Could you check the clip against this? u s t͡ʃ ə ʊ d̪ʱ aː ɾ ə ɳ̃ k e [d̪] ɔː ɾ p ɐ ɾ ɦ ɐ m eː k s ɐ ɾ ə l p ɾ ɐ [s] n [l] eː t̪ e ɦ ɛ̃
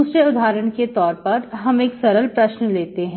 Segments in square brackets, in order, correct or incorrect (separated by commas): incorrect, incorrect, correct